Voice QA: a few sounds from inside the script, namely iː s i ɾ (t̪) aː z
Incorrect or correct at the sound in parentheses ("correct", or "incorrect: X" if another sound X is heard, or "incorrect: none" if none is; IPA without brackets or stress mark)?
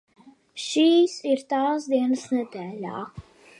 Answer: correct